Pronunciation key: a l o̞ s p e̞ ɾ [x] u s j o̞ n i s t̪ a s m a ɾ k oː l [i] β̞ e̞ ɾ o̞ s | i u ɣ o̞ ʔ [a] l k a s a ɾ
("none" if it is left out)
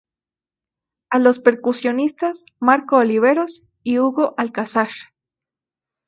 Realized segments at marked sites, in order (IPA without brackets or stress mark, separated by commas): k, i, a